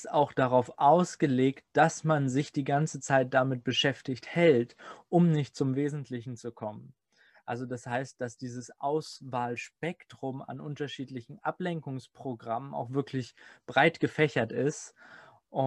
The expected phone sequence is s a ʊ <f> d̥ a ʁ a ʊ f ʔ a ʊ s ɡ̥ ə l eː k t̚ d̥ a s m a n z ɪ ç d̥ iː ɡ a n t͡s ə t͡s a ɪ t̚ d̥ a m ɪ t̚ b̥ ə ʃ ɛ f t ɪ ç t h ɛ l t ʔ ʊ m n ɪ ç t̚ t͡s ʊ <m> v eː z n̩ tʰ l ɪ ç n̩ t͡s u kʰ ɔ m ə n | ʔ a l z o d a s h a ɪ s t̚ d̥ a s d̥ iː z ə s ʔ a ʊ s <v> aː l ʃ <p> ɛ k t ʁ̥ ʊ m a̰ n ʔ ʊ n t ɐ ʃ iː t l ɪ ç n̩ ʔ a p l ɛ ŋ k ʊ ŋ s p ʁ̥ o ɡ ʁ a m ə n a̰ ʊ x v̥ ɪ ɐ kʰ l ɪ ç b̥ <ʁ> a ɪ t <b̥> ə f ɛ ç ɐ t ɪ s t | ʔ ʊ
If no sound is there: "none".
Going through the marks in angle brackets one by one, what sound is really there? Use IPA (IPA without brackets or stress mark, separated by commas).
x, m, v, p, ʁ, ɡ̥